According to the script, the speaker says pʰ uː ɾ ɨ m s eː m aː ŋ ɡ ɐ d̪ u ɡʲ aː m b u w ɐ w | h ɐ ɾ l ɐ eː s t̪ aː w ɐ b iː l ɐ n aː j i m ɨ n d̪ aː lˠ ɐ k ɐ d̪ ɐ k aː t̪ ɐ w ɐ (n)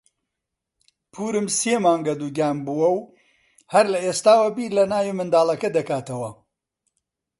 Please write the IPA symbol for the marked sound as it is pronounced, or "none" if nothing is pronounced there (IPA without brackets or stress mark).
none